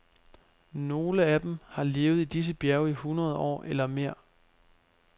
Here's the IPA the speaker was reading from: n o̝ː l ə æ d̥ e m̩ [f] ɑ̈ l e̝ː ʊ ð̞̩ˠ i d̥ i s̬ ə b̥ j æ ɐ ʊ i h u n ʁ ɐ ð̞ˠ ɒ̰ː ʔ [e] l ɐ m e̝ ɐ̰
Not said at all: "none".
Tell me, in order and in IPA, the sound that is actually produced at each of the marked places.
h, e

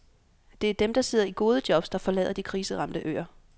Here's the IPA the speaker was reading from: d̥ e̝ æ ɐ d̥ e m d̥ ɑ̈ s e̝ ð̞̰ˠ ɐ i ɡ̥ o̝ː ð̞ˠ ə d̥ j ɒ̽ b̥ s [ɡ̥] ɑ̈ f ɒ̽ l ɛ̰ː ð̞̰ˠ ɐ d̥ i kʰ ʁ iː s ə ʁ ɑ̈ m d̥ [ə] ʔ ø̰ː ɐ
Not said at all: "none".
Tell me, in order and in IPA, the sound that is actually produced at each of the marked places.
d̥, ə

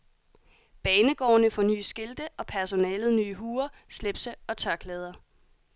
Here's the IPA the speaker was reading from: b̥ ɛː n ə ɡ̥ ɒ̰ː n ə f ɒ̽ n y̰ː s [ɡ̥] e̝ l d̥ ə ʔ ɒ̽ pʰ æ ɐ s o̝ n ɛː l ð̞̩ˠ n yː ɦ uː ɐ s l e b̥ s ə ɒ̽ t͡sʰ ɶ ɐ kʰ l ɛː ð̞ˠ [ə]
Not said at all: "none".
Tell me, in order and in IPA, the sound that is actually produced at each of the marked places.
ɡ̥, ɐ

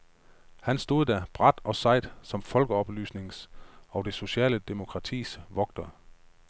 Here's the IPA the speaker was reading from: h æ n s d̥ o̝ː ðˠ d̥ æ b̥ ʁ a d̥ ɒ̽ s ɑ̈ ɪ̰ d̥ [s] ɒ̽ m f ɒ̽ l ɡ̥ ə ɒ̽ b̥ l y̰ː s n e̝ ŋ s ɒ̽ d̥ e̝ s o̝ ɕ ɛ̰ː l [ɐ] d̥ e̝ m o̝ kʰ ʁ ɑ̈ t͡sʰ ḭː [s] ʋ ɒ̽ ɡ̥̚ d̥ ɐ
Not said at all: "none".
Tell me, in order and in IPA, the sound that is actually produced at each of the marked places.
s, ə, s

